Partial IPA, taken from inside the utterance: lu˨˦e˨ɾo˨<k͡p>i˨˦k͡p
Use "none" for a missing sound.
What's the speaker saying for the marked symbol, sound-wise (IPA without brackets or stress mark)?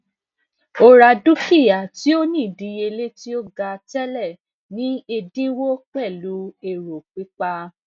k͡p